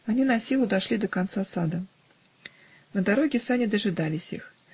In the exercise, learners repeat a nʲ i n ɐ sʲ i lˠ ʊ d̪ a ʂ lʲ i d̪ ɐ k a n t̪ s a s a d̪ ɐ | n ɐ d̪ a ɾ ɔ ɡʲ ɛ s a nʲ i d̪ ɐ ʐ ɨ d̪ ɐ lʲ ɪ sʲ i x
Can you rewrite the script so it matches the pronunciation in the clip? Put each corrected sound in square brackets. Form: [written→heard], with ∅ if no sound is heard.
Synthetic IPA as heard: a nʲ i n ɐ sʲ i lˠ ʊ d̪ a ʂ lʲ i d̪ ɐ k a n t̪ s a s a d̪ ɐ | n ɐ d̪ a ɾ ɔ ɡʲ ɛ s a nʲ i d̪ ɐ ʐ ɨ d̪ [ɐ→a] lʲ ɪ sʲ i x